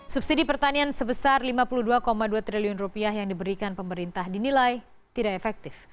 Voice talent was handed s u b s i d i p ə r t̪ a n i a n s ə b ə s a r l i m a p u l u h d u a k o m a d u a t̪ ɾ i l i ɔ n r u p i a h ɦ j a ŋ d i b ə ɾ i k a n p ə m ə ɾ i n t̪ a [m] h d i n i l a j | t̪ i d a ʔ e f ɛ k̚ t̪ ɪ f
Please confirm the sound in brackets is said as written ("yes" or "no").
no